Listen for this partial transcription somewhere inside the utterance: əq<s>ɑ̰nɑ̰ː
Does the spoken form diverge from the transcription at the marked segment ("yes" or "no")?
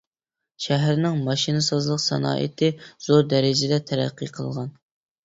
no